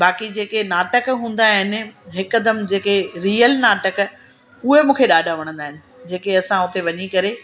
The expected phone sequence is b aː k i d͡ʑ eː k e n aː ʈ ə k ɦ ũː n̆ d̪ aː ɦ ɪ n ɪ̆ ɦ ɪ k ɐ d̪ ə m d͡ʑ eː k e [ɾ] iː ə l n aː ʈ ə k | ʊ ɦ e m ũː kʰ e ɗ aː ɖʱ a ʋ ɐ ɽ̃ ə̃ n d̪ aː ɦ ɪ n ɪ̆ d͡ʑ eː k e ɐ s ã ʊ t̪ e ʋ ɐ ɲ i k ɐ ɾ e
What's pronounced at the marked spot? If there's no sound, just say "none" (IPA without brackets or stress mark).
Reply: ɾ